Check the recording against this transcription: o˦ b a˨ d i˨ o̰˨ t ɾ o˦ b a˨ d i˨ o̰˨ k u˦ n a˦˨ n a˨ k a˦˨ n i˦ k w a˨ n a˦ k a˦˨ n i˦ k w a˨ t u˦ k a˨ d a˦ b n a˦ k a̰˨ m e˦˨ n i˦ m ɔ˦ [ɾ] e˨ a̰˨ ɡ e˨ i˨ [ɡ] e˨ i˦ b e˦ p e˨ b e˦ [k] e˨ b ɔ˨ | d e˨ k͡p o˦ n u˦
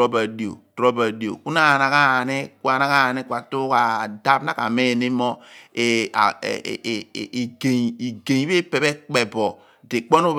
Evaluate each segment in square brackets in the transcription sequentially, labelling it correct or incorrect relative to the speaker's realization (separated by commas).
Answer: incorrect, correct, incorrect